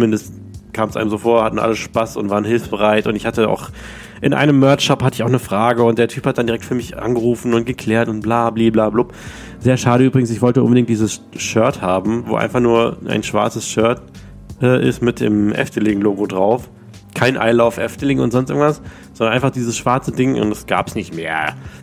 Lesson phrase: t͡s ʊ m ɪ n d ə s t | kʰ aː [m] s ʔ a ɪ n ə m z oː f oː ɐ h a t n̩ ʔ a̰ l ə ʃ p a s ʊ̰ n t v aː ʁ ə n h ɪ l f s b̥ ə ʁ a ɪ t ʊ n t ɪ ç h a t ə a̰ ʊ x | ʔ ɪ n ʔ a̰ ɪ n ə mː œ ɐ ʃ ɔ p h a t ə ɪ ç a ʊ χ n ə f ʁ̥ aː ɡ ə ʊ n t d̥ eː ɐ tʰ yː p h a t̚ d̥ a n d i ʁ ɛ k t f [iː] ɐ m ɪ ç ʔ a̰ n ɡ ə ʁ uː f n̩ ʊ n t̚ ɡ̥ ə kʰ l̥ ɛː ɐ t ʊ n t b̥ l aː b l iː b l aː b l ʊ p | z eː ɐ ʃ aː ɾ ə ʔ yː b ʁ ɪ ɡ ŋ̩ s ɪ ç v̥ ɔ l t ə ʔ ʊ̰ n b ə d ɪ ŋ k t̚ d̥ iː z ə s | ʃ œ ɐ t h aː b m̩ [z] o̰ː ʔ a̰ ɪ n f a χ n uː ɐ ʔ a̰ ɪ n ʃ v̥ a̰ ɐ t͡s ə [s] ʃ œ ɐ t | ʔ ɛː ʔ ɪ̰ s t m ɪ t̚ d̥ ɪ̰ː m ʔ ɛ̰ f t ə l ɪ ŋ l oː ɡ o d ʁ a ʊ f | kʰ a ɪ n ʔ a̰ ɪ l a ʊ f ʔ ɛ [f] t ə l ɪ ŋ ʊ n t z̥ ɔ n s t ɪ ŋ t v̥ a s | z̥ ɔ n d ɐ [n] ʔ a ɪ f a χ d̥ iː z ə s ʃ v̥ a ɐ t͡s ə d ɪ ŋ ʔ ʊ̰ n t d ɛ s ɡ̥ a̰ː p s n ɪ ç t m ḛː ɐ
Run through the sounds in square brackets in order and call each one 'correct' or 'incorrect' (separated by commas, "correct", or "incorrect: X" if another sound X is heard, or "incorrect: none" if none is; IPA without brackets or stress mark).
correct, incorrect: yː, incorrect: v, correct, correct, correct